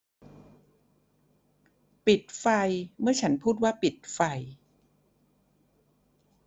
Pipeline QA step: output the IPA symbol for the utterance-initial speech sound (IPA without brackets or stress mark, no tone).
p